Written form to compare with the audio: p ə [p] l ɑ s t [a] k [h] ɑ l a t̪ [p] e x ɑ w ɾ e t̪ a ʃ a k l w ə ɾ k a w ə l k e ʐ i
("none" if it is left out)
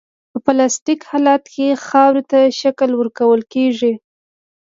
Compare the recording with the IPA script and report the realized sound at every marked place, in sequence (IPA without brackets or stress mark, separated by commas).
p, i, h, k